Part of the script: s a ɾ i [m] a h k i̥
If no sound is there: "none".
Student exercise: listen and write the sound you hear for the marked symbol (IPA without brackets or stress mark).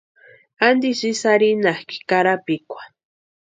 n